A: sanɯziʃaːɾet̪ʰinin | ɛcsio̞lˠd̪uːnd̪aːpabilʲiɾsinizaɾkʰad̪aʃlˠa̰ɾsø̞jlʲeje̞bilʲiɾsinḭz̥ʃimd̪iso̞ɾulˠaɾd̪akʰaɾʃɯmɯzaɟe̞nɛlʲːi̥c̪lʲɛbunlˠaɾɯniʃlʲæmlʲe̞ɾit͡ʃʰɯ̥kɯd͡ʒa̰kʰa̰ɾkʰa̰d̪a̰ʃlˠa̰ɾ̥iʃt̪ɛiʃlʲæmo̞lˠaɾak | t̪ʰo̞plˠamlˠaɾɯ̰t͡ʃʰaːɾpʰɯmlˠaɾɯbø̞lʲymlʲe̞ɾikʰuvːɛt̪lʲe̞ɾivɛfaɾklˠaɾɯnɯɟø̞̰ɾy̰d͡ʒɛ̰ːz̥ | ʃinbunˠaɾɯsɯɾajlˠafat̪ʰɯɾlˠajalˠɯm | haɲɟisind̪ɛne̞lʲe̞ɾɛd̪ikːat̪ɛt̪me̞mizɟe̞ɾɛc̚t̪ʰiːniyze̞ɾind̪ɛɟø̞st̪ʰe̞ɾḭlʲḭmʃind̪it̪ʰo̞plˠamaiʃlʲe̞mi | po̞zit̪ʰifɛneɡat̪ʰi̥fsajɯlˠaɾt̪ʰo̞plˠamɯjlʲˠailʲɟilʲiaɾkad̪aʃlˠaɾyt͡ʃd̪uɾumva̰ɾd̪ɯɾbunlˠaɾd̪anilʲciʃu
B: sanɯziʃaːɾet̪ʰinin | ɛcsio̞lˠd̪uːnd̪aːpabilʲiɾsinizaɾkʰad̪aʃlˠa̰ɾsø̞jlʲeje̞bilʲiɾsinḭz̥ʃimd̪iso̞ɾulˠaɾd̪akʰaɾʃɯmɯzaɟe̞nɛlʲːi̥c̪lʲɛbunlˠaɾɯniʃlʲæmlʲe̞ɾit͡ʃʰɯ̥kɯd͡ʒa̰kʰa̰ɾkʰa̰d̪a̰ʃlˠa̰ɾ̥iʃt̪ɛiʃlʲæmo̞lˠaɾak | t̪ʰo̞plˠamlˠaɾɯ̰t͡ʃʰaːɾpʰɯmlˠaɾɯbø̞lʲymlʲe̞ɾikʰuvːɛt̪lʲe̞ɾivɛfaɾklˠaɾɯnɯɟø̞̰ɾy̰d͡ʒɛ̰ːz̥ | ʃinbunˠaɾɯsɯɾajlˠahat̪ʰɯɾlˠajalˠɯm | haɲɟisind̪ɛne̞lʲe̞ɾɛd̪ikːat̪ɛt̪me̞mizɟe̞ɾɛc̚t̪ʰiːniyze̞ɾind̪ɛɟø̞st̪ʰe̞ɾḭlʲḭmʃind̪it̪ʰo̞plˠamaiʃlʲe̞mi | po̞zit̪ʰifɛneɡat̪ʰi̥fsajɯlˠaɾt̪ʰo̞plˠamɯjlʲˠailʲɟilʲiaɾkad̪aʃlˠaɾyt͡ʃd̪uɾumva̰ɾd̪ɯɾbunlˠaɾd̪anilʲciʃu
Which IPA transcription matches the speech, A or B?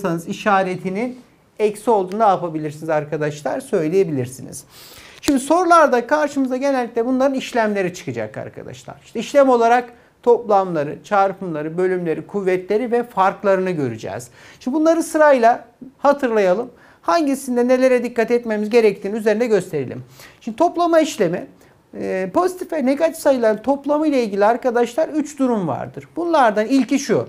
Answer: B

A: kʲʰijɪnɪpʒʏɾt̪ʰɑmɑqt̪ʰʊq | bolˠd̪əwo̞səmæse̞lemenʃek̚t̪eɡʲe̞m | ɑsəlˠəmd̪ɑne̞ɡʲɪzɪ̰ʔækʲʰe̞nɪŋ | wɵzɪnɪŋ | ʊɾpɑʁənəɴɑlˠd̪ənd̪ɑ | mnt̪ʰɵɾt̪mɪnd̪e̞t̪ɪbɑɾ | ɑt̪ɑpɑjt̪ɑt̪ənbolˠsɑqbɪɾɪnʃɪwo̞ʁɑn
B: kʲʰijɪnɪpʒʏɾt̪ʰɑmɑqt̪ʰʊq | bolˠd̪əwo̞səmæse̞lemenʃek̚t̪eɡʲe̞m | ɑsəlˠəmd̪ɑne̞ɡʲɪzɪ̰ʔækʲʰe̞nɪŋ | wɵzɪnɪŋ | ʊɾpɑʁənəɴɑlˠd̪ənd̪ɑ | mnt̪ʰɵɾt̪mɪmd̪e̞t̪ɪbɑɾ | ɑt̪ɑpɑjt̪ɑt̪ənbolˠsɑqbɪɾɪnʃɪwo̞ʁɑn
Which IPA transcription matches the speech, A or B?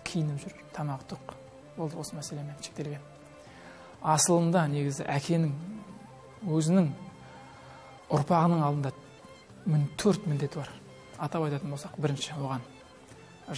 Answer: A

